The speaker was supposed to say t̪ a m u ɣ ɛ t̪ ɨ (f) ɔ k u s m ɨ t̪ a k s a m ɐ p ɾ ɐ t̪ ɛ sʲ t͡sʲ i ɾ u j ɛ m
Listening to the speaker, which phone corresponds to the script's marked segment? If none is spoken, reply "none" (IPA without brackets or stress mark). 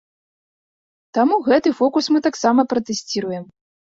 f